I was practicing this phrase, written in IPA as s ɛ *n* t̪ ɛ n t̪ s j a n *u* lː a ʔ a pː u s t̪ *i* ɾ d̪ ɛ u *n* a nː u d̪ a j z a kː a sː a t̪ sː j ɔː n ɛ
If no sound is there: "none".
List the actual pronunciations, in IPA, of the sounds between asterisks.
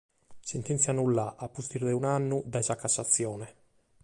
n, u, i, n

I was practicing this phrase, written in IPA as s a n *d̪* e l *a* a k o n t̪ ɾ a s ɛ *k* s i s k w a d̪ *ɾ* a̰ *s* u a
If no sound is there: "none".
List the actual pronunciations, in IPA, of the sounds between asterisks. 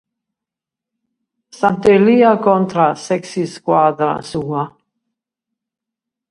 t̪, i, k, ɾ, s

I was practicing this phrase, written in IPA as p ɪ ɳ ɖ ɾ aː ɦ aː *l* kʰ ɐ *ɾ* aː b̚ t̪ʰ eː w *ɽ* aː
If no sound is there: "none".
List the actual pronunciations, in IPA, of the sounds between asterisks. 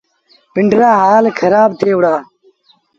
l, ɾ, ɽ

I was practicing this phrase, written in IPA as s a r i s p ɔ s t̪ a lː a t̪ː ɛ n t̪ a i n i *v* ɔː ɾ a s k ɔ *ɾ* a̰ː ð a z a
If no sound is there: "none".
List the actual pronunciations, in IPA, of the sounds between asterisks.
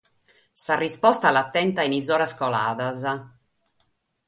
z, l

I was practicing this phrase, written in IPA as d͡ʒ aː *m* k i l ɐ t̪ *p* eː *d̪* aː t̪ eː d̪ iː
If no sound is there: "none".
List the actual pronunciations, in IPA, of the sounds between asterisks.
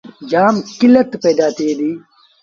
m, p, d̪

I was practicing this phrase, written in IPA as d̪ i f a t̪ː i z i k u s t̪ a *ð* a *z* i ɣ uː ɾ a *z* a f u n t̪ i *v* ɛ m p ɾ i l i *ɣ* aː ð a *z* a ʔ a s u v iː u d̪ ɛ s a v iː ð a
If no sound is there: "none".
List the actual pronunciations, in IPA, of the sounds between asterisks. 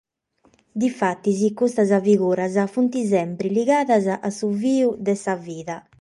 z, v, z, z, ɣ, z

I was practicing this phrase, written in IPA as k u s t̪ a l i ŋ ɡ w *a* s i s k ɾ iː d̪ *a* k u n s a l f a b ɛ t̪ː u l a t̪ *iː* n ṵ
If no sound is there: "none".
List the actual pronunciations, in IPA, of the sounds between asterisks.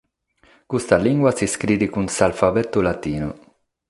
a, i, iː

